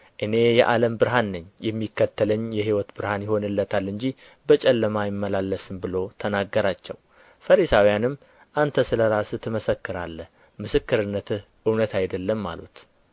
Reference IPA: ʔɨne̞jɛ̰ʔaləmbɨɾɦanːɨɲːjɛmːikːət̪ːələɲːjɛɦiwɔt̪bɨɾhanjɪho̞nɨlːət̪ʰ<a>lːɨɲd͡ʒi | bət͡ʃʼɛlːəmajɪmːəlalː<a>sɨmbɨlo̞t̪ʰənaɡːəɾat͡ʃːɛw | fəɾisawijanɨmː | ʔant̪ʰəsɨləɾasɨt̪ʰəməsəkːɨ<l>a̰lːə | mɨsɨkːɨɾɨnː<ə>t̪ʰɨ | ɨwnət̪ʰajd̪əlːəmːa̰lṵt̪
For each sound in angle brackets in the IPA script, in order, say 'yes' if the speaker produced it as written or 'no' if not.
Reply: yes, no, no, yes

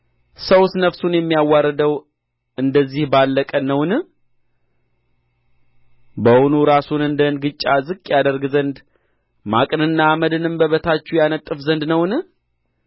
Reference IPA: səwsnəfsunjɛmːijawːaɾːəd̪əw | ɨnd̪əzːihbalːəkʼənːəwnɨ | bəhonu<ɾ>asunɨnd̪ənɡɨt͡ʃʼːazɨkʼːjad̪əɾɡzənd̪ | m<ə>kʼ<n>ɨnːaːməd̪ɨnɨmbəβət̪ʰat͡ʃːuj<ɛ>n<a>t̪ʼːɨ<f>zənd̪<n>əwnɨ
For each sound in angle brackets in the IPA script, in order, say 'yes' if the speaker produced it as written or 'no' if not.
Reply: yes, no, yes, no, no, yes, yes

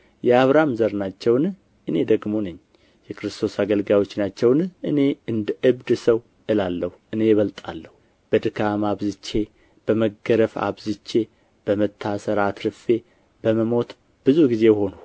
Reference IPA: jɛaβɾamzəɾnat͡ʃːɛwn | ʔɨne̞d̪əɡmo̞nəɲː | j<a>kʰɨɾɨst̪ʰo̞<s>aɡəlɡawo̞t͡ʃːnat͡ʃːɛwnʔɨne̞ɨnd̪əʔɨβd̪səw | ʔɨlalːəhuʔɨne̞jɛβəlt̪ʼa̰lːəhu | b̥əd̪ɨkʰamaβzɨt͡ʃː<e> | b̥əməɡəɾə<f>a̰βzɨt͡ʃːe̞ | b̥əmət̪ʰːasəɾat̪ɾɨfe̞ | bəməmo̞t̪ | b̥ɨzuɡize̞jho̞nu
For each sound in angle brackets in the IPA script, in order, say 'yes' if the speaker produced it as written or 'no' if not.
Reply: no, yes, yes, yes

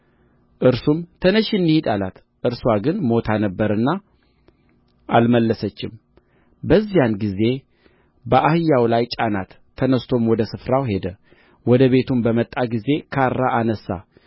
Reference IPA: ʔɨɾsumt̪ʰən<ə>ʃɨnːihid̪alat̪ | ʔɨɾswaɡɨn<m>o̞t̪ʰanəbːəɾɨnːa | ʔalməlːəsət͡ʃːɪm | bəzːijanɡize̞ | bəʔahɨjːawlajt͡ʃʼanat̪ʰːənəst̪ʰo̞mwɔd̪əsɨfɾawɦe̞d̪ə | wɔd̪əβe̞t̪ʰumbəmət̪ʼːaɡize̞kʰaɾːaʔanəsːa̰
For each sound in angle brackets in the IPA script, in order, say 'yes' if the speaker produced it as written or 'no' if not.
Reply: yes, yes

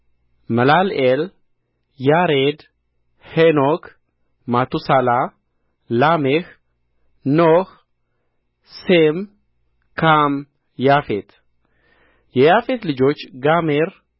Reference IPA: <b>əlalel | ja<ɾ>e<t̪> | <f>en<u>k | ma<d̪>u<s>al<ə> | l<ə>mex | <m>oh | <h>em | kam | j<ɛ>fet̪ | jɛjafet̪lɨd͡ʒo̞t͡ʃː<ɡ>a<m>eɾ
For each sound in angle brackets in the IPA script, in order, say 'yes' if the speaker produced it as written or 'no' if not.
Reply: no, yes, no, no, no, no, yes, no, no, no, no, no, yes, yes

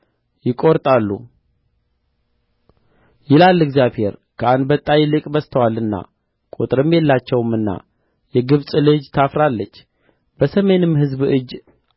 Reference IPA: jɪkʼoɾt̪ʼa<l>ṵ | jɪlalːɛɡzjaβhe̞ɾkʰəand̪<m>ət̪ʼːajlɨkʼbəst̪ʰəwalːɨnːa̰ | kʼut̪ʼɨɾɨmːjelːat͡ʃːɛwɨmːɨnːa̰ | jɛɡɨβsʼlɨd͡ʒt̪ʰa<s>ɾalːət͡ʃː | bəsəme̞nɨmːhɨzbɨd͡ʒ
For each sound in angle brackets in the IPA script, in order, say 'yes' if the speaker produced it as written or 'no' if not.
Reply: no, no, no

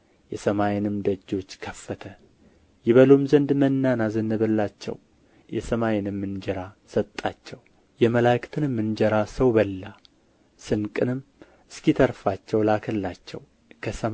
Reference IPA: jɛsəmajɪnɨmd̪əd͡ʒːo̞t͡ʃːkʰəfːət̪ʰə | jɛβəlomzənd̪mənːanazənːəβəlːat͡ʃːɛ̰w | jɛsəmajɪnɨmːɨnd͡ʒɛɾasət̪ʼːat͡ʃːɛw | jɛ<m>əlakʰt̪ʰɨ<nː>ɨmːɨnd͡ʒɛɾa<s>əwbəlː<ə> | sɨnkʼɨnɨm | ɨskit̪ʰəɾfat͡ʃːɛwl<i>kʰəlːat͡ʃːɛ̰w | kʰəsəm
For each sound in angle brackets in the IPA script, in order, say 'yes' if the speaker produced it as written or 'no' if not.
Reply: yes, no, yes, no, no

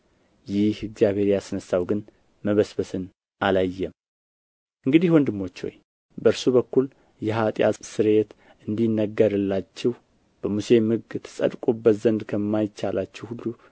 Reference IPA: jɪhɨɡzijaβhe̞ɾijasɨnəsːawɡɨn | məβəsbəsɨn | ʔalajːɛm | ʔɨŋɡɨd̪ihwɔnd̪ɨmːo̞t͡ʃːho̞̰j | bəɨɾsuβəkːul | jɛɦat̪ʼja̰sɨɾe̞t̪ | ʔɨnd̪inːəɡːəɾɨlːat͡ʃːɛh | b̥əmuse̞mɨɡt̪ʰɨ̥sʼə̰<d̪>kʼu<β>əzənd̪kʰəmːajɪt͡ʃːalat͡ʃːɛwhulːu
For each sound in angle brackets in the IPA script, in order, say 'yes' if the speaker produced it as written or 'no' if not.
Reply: yes, no

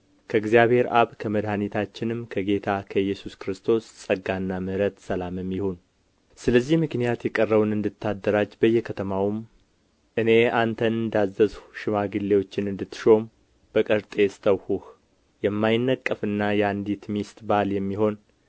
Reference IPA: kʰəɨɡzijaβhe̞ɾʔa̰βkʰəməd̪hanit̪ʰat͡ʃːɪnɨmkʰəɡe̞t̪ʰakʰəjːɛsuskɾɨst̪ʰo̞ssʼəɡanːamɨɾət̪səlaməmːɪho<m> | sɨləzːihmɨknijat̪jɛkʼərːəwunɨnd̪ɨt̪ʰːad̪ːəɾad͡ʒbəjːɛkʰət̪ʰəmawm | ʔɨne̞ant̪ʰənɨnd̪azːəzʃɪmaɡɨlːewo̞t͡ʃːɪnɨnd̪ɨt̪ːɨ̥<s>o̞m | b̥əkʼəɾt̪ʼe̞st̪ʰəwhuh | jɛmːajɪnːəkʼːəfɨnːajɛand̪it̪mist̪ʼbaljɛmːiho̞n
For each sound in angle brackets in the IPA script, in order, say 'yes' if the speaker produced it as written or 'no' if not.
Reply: no, no

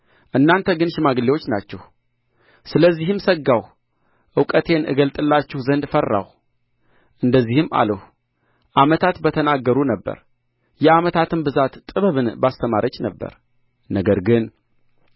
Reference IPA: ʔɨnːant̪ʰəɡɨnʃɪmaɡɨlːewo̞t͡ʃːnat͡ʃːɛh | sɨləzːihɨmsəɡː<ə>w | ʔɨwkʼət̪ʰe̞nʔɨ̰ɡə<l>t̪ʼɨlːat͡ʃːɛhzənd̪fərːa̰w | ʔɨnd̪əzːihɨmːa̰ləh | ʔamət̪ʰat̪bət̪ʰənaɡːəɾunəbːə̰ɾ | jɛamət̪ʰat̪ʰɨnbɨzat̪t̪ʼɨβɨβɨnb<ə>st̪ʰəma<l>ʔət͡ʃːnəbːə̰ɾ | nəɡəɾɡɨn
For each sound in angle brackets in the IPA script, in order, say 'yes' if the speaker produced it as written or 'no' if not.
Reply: no, yes, no, no

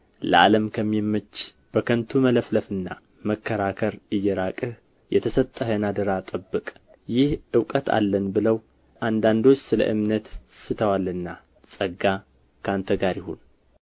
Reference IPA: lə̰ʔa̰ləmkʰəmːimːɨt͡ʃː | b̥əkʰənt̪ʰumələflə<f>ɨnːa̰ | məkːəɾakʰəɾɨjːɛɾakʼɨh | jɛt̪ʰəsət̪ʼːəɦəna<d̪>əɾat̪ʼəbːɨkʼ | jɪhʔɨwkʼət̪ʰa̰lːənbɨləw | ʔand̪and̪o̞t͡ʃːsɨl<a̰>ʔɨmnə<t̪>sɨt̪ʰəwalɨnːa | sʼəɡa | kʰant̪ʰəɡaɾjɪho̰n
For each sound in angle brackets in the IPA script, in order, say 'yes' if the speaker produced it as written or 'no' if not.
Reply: yes, yes, no, yes

